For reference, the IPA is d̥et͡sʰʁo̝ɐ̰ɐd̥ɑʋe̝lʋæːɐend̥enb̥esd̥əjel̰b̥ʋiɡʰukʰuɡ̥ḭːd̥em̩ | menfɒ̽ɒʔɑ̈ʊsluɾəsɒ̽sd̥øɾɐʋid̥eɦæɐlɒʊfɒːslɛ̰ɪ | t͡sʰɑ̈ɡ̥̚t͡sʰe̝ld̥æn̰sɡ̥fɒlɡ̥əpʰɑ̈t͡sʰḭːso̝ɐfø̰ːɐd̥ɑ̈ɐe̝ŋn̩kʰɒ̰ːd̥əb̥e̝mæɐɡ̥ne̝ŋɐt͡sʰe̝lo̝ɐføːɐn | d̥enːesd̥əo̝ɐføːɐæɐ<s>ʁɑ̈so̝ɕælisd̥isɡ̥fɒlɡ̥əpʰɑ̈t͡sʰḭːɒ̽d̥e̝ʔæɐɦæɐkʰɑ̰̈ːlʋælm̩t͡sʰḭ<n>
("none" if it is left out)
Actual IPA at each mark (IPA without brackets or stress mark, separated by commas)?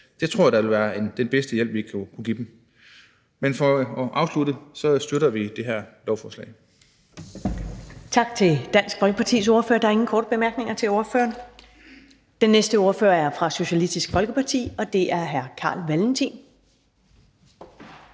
f, n